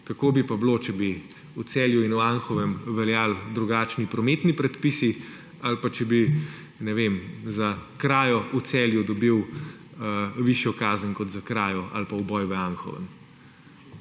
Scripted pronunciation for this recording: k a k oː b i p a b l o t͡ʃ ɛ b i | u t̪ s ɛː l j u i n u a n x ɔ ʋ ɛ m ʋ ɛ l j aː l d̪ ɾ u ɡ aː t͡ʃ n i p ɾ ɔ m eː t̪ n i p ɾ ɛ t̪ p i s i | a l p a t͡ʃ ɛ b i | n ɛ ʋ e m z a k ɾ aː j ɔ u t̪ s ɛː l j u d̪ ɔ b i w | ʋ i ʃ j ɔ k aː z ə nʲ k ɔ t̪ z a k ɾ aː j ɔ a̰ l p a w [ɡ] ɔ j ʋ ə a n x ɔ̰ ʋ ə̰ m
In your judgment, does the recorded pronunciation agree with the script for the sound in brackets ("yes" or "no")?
no